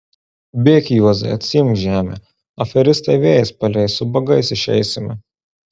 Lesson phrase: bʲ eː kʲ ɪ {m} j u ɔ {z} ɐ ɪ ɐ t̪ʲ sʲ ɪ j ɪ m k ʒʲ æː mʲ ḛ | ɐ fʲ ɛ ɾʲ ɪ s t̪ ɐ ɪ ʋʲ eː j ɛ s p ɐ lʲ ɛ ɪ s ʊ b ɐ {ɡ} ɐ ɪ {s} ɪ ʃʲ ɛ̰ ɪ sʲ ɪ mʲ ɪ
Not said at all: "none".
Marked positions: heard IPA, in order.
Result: none, z, ɡ, s

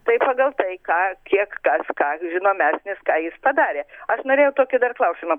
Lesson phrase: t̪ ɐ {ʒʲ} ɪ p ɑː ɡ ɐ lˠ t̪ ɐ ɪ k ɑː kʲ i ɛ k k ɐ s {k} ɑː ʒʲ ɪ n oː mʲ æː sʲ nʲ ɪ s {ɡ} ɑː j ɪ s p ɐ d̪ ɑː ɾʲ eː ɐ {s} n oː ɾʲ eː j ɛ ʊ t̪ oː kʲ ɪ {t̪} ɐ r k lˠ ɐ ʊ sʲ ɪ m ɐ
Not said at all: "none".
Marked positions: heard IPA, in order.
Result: none, k, k, ʃ, d̪

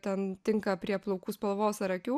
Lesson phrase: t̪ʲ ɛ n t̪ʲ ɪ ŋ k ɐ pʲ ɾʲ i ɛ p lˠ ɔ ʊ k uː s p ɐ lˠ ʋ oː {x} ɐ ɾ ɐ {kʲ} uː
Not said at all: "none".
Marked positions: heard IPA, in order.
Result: s, kʲ

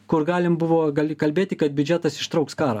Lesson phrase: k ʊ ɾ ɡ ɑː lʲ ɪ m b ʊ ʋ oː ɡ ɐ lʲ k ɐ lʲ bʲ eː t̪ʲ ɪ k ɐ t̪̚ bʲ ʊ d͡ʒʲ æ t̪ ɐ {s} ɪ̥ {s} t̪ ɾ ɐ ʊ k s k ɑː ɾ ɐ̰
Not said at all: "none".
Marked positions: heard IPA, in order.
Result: s, ʃ

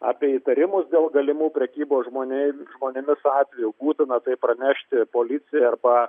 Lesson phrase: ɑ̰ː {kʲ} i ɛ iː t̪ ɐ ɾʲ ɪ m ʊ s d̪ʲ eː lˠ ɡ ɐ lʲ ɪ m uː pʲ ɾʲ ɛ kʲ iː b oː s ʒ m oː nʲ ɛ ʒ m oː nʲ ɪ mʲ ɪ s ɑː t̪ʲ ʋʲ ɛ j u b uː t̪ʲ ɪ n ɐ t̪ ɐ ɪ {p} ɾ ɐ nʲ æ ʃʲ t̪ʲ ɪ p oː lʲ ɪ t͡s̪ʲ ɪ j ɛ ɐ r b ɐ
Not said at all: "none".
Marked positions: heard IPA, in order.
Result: pʲ, p

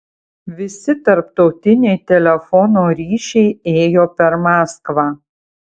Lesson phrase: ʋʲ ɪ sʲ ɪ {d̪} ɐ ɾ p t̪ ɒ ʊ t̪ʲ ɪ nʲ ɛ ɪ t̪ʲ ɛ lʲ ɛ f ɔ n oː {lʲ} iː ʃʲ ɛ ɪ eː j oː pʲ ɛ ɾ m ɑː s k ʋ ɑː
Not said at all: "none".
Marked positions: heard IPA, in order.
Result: t̪, ɾʲ

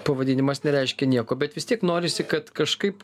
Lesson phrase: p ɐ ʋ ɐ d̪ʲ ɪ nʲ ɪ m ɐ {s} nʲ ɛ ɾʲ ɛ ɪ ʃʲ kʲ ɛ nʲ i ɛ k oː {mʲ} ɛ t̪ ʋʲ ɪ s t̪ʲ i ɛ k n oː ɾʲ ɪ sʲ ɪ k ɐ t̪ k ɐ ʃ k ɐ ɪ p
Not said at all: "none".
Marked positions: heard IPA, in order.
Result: s, bʲ

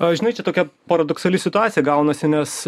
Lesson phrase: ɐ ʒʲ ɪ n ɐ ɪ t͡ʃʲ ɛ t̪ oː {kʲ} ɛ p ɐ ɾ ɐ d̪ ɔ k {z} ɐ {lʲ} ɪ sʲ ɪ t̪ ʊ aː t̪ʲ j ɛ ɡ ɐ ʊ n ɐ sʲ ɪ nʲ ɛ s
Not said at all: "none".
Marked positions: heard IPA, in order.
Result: kʲ, s, lʲ

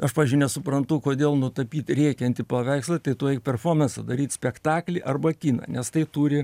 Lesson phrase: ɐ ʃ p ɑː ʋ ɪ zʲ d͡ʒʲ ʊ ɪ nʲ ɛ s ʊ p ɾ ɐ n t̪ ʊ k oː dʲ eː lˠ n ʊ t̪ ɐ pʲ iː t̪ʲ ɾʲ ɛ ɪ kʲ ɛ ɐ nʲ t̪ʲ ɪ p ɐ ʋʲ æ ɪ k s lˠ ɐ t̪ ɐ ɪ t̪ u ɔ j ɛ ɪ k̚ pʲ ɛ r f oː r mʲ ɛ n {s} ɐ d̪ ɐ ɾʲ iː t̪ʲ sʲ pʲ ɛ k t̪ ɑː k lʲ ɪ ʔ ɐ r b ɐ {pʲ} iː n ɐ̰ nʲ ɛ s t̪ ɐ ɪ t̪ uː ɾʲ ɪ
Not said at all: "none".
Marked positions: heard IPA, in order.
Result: s, kʲ

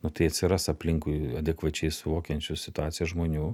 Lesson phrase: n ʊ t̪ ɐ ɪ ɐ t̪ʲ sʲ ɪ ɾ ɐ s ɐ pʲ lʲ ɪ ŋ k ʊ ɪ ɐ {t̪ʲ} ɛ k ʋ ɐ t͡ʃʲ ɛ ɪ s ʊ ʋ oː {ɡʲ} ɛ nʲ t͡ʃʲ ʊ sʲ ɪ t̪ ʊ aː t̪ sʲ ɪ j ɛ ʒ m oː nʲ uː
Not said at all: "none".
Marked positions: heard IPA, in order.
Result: d̪ʲ, kʲ

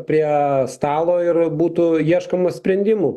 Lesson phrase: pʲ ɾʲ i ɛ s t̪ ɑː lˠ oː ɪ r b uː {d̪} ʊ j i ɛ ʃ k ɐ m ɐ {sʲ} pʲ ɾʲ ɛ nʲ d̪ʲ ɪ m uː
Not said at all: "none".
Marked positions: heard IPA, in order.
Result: t̪, sʲ

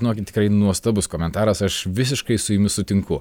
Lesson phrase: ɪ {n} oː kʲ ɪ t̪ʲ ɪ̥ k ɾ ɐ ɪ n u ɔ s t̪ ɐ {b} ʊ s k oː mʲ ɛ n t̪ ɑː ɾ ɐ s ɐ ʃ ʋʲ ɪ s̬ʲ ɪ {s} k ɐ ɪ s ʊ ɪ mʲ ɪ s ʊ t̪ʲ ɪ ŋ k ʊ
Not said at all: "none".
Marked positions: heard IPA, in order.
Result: n, b, ʃ

